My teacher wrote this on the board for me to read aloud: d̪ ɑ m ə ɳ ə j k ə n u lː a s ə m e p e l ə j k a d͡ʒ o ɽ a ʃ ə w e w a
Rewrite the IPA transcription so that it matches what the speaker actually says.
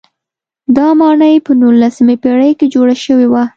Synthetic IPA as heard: d̪ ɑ m ɑ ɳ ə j p ə n u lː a s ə m e p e ɽ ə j k e d͡ʒ o ɽ a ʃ ə w e w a